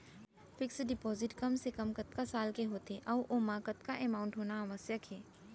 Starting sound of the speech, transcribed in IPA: f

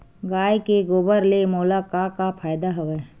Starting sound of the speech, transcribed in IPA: ɡ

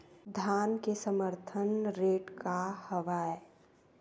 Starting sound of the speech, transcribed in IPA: d̪ʱ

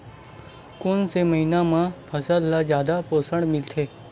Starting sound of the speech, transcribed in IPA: k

